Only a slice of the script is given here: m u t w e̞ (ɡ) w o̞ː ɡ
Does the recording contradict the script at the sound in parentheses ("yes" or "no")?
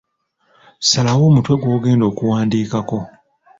no